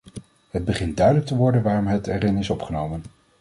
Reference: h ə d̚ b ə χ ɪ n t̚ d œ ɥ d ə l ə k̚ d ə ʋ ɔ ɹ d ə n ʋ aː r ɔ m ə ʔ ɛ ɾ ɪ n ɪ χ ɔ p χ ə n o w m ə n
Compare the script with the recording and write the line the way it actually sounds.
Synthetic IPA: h ə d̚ b ə χ ɪ n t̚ d œ ɥ d ə l ə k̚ t ə ʋ ɔ ɹ d ə n ʋ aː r ɔ m ə t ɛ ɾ ɪ n ɪ s ɔ p χ ə n o w m ə n